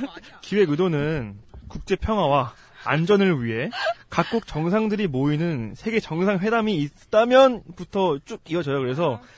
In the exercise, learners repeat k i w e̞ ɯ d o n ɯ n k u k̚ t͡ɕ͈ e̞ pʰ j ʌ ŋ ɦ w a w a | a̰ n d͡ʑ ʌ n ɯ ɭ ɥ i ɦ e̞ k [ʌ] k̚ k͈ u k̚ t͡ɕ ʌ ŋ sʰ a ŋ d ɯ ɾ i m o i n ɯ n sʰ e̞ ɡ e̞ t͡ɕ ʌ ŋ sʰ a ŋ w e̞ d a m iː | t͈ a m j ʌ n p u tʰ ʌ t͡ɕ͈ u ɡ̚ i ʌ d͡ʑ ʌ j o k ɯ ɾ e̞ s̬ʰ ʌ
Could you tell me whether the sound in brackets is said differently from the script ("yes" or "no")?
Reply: yes